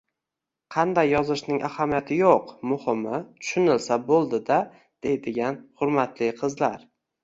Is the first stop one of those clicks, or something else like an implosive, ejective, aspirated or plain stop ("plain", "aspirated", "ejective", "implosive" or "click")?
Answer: aspirated